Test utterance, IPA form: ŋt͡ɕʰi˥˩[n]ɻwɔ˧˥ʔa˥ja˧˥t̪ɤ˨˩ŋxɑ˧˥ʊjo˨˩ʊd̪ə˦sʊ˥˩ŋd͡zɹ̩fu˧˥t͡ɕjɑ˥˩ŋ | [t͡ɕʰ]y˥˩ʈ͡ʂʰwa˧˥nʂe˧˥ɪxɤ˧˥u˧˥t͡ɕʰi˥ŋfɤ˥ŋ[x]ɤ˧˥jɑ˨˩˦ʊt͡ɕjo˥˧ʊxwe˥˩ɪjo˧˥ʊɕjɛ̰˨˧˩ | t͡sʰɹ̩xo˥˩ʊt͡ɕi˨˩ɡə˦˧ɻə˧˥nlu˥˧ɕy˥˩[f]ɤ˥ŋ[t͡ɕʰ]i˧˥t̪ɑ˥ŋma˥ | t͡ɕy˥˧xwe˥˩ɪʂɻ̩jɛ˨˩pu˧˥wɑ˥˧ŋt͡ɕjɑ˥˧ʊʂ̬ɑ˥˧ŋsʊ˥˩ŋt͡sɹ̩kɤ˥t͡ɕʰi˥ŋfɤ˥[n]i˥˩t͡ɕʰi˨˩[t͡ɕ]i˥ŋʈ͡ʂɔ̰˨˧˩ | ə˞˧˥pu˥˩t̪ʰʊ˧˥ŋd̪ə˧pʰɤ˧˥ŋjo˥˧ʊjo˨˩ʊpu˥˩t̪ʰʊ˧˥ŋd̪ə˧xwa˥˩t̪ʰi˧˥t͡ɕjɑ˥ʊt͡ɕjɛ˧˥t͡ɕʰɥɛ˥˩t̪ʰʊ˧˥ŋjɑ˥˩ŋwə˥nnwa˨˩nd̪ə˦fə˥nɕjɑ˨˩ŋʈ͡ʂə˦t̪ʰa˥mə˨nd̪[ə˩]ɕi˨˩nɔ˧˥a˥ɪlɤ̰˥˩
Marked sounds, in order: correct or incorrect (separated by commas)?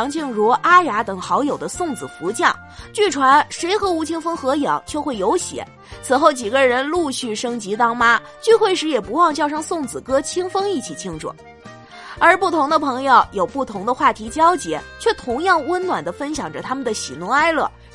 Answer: incorrect, incorrect, correct, incorrect, incorrect, incorrect, incorrect, correct